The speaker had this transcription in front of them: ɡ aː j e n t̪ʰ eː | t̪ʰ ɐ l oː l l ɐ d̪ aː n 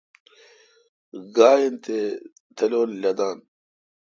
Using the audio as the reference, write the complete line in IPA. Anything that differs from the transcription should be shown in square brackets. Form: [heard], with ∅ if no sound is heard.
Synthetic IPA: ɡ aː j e n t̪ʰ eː | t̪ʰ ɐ l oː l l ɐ d̪ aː n